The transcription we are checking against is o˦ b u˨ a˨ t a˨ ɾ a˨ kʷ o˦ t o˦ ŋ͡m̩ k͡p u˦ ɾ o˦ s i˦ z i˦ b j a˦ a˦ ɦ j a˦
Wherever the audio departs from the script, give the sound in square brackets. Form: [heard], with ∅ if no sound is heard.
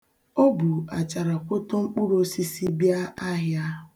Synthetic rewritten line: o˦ b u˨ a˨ [t͡ʃ] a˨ ɾ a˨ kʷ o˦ t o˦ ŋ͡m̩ k͡p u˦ ɾ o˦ s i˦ [s] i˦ b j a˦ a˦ ɦ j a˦